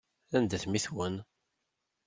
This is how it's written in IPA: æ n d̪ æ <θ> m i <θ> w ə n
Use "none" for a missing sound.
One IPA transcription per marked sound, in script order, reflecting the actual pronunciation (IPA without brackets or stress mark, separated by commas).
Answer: θ, θ